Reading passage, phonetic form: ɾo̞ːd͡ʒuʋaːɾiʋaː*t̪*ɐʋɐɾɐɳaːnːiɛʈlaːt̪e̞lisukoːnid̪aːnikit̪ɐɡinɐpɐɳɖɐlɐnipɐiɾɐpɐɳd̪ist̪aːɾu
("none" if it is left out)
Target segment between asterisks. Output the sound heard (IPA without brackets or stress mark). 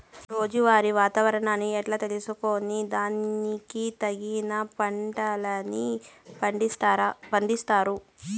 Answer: t̪